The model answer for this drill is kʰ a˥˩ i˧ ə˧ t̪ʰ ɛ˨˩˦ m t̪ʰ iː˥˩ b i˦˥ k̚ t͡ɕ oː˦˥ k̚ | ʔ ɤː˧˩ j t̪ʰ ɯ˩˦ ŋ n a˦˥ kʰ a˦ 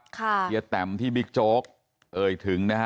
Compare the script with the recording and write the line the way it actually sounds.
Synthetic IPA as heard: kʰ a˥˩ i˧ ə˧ t̪ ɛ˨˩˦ m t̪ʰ iː˥˩ b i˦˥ k̚ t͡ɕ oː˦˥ k̚ | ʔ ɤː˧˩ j t̪ʰ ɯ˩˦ ŋ n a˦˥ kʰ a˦